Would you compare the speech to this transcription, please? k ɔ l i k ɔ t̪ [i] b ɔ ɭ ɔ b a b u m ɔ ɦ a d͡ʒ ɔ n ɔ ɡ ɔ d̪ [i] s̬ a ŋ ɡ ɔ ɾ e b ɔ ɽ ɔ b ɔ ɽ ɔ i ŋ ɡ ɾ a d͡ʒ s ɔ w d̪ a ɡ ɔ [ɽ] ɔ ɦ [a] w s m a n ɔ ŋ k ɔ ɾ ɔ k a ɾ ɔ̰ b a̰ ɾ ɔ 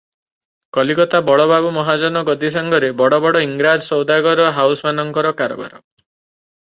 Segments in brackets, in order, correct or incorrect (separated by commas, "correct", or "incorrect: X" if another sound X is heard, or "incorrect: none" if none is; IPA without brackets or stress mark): incorrect: a, correct, incorrect: ɾ, correct